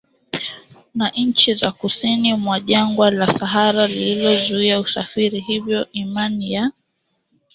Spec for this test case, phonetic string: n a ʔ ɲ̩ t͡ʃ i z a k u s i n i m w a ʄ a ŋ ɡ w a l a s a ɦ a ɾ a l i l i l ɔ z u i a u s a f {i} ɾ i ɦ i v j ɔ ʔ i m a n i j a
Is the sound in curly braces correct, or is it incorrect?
correct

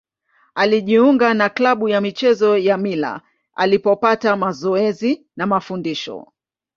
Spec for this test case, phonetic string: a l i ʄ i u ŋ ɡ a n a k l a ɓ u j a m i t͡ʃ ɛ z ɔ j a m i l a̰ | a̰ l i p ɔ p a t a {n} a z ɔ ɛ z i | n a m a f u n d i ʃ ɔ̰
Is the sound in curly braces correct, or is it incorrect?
incorrect: m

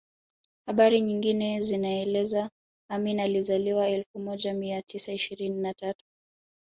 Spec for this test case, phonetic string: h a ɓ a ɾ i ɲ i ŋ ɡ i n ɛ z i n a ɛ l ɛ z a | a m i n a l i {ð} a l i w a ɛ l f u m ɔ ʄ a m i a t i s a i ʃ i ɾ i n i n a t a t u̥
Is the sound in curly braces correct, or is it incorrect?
incorrect: z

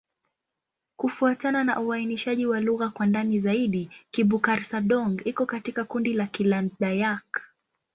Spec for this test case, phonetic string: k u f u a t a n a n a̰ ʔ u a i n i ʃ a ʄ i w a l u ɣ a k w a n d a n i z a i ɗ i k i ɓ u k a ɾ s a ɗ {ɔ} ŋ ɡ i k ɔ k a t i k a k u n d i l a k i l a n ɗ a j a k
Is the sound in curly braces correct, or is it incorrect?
correct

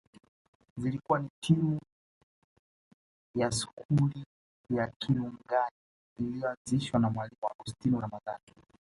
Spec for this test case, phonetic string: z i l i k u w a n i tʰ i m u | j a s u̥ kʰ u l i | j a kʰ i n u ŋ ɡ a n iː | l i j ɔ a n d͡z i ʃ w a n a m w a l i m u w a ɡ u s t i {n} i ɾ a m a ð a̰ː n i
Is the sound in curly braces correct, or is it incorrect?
correct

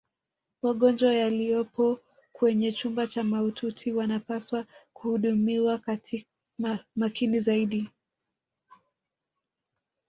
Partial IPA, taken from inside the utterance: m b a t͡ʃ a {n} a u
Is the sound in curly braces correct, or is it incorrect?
incorrect: m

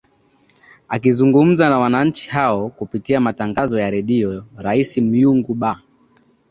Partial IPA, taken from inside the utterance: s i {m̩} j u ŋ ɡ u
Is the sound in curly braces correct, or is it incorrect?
correct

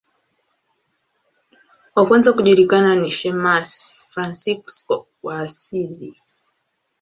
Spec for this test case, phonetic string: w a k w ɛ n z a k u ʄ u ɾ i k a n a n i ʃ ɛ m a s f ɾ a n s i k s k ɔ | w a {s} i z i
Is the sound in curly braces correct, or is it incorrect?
correct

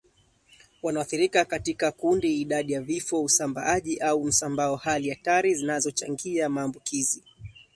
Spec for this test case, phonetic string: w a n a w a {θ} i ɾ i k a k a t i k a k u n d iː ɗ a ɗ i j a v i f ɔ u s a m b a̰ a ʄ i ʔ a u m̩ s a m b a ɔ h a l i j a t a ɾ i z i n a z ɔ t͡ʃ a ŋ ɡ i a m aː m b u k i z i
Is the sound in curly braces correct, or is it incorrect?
correct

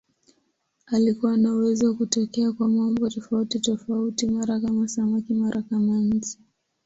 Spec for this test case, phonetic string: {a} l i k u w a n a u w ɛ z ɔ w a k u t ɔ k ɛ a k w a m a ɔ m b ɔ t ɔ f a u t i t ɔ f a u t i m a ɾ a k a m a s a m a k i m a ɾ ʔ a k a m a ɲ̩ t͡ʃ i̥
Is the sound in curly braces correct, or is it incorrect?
correct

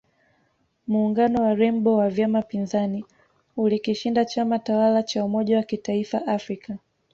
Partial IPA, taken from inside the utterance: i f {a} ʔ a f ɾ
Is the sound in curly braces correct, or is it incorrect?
correct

